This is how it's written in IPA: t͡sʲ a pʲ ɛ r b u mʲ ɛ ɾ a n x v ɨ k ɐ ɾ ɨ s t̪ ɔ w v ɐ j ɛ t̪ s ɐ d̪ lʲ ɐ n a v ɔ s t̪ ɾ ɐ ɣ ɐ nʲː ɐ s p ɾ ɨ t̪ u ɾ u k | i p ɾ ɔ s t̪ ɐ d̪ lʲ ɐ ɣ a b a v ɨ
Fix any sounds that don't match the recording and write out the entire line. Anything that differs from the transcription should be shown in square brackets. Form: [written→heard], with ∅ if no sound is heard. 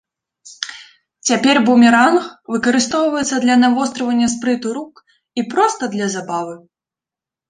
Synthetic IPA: t͡sʲ a pʲ ɛ r b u mʲ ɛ ɾ a n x v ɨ k ɐ ɾ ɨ s t̪ ɔ w v ɐ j ɛ t̪ s ɐ d̪ lʲ ɐ n a v ɔ s t̪ ɾ ɐ [ɣ→v] ɐ nʲː ɐ s p ɾ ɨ t̪ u ɾ u k | i p ɾ ɔ s t̪ ɐ d̪ lʲ ɐ [ɣ→z] a b a v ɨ

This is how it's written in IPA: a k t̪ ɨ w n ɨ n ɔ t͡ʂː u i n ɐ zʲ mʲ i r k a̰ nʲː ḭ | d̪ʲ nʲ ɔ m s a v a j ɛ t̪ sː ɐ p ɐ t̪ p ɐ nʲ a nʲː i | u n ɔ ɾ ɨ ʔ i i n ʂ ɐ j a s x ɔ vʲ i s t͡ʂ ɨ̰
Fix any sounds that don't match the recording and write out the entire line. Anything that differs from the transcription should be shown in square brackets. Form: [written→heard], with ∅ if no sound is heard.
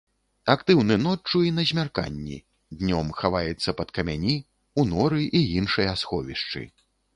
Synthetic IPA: a k t̪ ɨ w n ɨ n ɔ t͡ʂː u i n ɐ zʲ mʲ [i→a] r k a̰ nʲː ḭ | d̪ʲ nʲ ɔ m [s→x] a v a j ɛ t̪ sː ɐ p ɐ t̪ [p→k] ɐ [nʲ→mʲ] a [nʲː→nʲ] i | u n ɔ ɾ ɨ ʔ i i n ʂ ɐ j a s x ɔ vʲ i [s→ʂ] t͡ʂ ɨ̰

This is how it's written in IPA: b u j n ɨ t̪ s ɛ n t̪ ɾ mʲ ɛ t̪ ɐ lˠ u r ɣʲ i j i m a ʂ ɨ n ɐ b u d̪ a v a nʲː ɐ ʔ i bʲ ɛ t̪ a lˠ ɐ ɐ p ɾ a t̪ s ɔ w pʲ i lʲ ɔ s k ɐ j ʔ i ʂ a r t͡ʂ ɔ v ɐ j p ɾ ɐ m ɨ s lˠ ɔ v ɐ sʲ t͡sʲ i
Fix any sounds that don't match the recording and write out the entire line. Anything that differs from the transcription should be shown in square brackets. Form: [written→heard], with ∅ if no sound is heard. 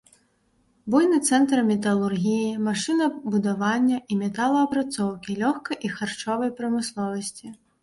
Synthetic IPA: b u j n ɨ t̪ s ɛ n t̪ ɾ mʲ ɛ t̪ ɐ lˠ u r ɣʲ i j i m a ʂ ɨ n ɐ b u d̪ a v a nʲː ɐ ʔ i [bʲ→mʲ] ɛ t̪ a lˠ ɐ ɐ p ɾ a t̪ s ɔ w [pʲ→kʲ] i lʲ ɔ [s→x] k ɐ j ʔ i [ʂ→x] a r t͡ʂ ɔ v ɐ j p ɾ ɐ m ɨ s lˠ ɔ v ɐ sʲ t͡sʲ i

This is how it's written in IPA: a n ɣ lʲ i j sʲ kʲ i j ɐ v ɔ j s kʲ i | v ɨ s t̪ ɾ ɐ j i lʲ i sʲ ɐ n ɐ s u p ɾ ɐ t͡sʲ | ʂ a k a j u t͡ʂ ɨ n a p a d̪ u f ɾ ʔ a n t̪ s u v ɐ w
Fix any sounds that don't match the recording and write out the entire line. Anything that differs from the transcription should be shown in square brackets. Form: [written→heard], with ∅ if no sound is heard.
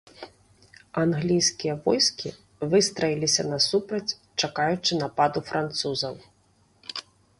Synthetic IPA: a n ɣ lʲ i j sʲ kʲ i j ɐ v ɔ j s kʲ i | v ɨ s t̪ ɾ ɐ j i lʲ i sʲ ɐ n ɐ s u p ɾ ɐ t͡sʲ | [ʂ→t͡ʂ] a k a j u t͡ʂ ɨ n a p a d̪ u f ɾ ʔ a n t̪ s u [v→z] ɐ w

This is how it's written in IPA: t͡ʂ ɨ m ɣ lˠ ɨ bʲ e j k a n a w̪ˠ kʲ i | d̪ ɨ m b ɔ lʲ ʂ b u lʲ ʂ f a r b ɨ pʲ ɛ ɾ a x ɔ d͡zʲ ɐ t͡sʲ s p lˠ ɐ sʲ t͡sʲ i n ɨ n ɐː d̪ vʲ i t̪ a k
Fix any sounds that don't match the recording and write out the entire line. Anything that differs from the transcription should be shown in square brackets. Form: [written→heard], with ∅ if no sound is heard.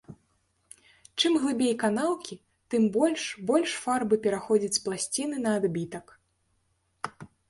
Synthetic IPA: t͡ʂ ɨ m ɣ lˠ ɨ bʲ e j k a n a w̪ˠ kʲ i | [d̪→t̪] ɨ m b ɔ lʲ ʂ b [u→ɔ] lʲ ʂ f a r b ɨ pʲ ɛ ɾ a x ɔ d͡zʲ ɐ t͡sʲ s p lˠ [ɐ→a] sʲ t͡sʲ i n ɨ n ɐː d̪ [vʲ→bʲ] i t̪ [a→ɐ] k

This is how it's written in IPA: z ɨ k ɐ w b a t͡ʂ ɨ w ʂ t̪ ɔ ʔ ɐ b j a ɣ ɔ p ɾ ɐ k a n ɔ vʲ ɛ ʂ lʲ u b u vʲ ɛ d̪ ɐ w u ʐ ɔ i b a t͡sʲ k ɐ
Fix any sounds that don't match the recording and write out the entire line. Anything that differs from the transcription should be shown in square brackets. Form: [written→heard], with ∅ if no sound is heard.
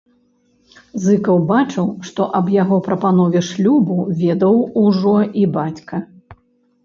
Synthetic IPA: z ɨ k ɐ w b a t͡ʂ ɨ w ʂ t̪ ɔ ʔ ɐ b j a ɣ ɔ p ɾ ɐ [k→p] a n ɔ vʲ ɛ ʂ lʲ u b u vʲ ɛ d̪ ɐ w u ʐ ɔ i b a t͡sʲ k ɐ

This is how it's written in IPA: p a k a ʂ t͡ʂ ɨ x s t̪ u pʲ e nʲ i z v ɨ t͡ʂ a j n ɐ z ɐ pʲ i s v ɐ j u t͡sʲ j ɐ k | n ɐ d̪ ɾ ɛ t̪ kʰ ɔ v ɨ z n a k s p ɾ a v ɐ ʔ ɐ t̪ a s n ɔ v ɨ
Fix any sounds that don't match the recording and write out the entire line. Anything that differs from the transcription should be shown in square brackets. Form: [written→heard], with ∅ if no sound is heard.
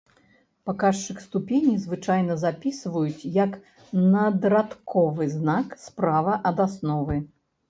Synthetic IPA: p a k a ʂ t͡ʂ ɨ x s t̪ u pʲ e nʲ i z v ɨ t͡ʂ a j n ɐ z [ɐ→a] pʲ i s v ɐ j u t͡sʲ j ɐ k | n ɐ d̪ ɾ [ɛ→a] t̪ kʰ ɔ v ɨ z n a k s p ɾ a v ɐ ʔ ɐ [t̪→d̪] a s n ɔ v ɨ

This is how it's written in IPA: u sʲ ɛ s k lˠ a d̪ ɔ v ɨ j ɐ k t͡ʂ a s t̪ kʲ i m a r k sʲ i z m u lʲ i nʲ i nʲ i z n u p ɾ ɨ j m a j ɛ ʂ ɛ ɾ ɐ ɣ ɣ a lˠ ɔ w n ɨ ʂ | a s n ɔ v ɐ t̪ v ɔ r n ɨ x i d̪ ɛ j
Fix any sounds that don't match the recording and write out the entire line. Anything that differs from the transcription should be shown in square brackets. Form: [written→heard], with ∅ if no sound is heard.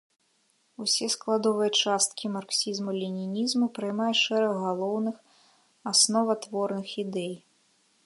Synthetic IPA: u sʲ ɛ s k lˠ a d̪ ɔ v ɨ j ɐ [k→∅] t͡ʂ a s t̪ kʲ i m a r k sʲ i z m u lʲ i nʲ i nʲ i z [n→m] u p ɾ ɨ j m a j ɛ ʂ ɛ ɾ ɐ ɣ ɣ a lˠ ɔ w n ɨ [ʂ→x] | a s n ɔ v ɐ t̪ v ɔ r n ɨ x i d̪ ɛ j

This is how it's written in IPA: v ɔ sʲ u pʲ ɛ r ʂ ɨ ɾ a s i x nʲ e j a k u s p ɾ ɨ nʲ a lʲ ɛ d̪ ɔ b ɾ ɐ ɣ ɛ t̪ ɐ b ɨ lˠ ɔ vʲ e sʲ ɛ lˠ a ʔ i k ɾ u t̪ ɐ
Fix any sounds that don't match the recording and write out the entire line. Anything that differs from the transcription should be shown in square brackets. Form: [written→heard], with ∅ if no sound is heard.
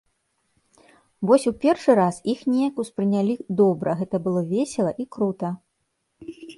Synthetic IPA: v ɔ sʲ u pʲ ɛ r ʂ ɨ ɾ a s i x nʲ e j [a→ɐ] k u s p ɾ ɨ nʲ a lʲ [ɛ→i] d̪ ɔ b ɾ ɐ ɣ ɛ t̪ ɐ b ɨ lˠ ɔ vʲ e sʲ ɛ lˠ [a→ɐ] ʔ i k ɾ u t̪ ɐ

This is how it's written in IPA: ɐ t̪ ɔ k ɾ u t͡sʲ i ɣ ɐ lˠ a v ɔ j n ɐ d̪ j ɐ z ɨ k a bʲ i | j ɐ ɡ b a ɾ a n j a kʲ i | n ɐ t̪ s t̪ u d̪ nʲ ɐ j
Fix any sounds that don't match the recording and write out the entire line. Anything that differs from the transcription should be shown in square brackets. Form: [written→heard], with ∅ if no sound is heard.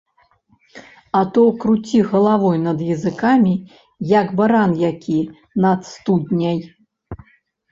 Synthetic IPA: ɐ t̪ ɔ k ɾ u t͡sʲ i ɣ ɐ lˠ a v ɔ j n ɐ d̪ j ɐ z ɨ k a [bʲ→mʲ] i | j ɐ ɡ b a ɾ a n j a kʲ i | n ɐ t̪ s t̪ u d̪ nʲ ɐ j

